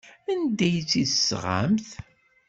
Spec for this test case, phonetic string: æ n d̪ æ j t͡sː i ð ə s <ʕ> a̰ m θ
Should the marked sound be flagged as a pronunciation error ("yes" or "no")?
yes